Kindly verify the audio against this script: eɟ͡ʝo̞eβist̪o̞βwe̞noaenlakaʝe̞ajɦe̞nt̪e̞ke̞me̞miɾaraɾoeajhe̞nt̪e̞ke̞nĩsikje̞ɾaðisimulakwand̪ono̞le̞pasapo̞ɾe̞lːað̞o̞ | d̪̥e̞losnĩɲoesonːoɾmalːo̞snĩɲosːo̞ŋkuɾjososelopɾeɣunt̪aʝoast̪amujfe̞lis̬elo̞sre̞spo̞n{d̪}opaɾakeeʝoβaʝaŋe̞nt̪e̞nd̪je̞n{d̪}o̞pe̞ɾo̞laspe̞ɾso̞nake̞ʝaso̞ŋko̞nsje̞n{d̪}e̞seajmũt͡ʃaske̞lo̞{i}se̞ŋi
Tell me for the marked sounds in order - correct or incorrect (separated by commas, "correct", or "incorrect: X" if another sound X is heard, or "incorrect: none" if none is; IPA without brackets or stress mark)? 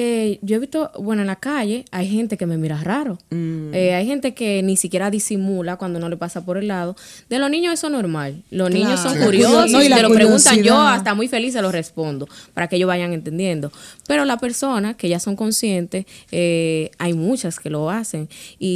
correct, correct, incorrect: t̪, incorrect: a